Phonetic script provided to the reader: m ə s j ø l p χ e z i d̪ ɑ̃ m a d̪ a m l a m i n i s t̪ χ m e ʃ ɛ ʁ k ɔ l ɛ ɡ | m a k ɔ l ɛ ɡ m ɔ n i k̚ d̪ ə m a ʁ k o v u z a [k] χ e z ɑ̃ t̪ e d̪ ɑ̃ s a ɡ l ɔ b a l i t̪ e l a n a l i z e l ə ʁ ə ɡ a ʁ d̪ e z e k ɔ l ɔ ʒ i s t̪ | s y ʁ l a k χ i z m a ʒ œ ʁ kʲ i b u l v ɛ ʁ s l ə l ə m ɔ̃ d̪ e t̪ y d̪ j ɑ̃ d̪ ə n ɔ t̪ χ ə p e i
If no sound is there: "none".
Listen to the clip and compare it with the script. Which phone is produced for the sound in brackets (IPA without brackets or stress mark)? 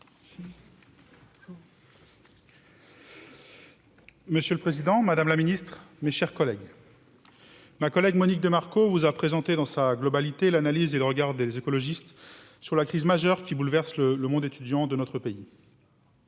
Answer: p